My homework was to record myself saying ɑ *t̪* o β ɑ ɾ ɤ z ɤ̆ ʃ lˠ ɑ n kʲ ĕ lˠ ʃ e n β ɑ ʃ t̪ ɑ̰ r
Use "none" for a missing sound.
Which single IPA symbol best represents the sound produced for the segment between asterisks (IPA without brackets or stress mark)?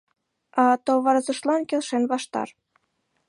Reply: t̪